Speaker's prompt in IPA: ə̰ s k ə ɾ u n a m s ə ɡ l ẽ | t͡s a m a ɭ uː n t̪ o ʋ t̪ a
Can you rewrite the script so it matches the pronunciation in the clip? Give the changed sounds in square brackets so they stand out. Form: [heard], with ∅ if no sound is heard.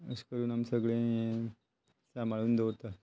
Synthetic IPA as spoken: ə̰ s k ə ɾ [uː] n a m s ə ɡ [ɭ] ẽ | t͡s a m a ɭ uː n [d̪] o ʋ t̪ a